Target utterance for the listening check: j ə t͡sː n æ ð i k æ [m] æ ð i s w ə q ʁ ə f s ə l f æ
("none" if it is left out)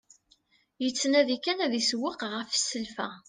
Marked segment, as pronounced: n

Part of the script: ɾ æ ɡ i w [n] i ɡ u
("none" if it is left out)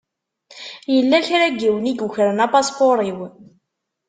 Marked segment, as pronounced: n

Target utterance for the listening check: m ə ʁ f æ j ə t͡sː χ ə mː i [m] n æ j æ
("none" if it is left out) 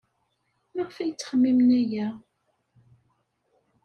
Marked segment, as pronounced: m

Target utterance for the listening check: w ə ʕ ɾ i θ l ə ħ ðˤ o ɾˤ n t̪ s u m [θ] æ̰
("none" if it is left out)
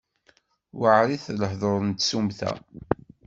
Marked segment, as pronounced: θ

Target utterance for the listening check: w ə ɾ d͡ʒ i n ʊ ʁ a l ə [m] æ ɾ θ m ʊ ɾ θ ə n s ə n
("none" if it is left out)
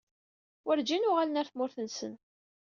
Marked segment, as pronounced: n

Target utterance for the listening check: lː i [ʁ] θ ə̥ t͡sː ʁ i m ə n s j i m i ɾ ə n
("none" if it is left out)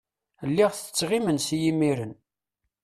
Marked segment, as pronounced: ʁ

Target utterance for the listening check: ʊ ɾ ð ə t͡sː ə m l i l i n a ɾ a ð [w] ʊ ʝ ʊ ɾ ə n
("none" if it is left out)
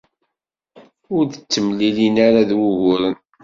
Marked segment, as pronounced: w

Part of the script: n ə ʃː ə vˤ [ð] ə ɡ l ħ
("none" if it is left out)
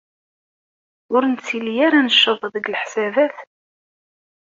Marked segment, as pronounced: ð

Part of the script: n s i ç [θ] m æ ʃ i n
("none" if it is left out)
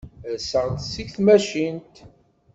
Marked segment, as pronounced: θ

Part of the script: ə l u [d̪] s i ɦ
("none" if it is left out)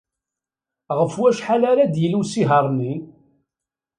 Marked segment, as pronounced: none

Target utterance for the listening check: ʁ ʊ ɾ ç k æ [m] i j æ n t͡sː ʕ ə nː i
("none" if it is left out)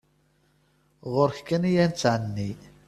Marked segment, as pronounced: n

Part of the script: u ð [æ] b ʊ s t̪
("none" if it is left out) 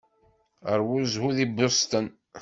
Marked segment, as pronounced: i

